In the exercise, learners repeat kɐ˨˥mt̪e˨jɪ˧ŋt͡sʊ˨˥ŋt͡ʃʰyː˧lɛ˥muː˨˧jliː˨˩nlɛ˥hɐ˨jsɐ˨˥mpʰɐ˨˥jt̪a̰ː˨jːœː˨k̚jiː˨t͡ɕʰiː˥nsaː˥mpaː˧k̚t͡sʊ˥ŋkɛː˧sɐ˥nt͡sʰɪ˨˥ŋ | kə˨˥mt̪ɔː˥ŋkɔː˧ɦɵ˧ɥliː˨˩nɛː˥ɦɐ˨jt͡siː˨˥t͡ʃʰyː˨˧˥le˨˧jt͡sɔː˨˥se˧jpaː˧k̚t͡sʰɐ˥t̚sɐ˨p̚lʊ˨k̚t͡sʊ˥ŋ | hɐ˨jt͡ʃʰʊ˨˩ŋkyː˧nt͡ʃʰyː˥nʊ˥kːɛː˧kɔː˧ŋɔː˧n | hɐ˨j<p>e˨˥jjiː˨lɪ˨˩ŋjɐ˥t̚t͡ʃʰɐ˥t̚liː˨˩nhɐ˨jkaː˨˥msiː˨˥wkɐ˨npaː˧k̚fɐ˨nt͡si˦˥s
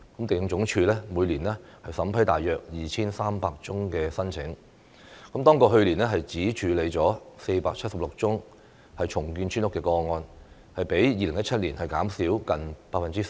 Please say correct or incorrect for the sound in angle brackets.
correct